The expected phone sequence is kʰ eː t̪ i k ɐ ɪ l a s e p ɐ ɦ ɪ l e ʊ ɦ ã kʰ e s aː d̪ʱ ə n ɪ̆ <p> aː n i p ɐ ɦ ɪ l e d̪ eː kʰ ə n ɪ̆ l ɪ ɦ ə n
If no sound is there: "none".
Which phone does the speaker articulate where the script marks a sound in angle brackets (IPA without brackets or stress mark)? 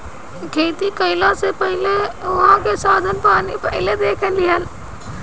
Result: p